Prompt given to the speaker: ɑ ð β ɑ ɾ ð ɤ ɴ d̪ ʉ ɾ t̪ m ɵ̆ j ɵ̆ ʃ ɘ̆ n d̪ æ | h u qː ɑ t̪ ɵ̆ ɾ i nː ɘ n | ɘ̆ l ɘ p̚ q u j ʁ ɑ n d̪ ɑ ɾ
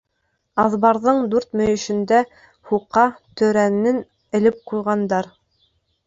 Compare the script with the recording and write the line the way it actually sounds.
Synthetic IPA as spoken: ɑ ð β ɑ ɾ ð ɤ ɴ d̪ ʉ ɾ t̪ m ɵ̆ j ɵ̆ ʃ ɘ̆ n d̪ æ | h u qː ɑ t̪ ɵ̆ ɾ æ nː ɘ n | ɘ̆ l ɘ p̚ q u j ʁ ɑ n d̪ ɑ ɾ